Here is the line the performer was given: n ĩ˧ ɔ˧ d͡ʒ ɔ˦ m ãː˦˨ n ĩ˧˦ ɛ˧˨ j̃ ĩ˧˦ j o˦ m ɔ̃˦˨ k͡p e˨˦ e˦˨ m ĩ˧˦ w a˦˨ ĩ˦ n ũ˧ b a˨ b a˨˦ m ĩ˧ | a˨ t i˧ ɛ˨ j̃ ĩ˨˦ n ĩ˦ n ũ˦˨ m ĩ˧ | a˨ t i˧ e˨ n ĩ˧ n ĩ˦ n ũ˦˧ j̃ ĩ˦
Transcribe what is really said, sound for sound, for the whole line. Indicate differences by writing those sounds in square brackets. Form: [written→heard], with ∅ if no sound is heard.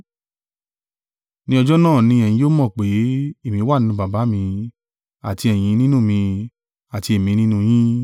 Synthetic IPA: n ĩ˧ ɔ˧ d͡ʒ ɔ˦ [m→n] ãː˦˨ n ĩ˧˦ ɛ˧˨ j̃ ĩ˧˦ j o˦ m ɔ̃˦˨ k͡p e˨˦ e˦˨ m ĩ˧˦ w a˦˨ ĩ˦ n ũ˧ b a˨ b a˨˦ m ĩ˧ | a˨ t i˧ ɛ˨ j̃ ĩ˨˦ n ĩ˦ n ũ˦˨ m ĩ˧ | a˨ t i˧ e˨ [n→m] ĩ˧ n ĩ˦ n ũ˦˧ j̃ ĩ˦